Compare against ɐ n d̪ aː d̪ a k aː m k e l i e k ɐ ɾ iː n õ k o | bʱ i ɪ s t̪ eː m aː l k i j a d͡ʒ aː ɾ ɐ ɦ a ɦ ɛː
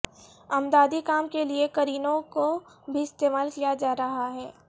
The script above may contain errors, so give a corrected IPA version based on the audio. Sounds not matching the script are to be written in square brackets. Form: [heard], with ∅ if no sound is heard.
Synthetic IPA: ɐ [m] d̪ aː d̪ [i] k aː m k e l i e k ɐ ɾ iː n õ k o | bʱ i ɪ s t̪ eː m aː l k i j a d͡ʒ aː ɾ ɐ ɦ a ɦ ɛː